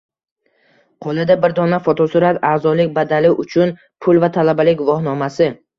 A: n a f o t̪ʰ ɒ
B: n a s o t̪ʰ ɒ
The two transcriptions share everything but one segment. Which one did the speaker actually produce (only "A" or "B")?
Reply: A